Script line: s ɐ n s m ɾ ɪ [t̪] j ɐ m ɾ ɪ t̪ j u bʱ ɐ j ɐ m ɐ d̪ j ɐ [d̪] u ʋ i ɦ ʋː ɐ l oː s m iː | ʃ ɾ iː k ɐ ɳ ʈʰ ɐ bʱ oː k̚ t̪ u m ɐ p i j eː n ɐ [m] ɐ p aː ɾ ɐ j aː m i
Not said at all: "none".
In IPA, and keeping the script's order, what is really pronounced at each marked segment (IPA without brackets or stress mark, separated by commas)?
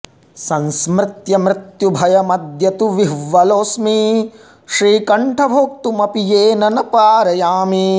t̪, t̪, n